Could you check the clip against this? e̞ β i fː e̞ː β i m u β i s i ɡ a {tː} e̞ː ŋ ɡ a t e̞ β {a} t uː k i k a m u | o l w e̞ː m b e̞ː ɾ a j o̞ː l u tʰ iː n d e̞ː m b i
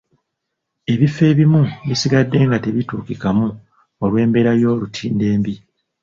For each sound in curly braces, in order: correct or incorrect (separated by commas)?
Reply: incorrect, incorrect